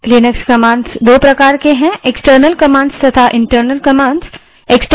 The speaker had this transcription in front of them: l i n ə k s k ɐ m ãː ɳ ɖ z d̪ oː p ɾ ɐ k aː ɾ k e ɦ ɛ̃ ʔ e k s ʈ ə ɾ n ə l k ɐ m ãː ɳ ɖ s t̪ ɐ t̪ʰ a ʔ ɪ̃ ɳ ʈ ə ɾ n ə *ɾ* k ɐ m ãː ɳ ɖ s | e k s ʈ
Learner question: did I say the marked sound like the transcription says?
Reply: no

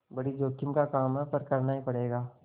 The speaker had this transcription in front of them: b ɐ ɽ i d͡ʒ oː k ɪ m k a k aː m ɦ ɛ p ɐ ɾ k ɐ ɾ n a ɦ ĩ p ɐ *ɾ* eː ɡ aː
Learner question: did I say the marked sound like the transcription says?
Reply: no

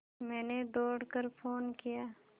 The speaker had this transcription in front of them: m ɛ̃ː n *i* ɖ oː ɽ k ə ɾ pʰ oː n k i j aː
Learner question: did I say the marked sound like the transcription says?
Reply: no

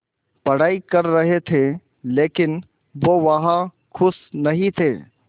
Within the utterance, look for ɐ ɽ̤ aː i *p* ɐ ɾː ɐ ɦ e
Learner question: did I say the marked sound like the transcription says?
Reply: no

